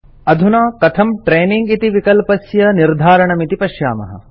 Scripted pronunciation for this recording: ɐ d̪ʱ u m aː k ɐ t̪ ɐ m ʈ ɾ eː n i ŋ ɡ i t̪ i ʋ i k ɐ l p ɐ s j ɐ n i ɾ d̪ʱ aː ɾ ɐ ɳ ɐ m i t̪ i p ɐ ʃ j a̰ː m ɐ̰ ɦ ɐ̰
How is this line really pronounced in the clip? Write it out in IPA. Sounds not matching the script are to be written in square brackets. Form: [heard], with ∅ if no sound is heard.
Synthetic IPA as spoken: ɐ d̪ʱ u [n] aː k ɐ [t̪ʰ] ɐ m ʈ ɾ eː n i ŋ ɡ i t̪ i ʋ i k ɐ l p ɐ s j ɐ n i ɾ d̪ʱ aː ɾ ɐ ɳ ɐ m i t̪ i p ɐ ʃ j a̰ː m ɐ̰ ɦ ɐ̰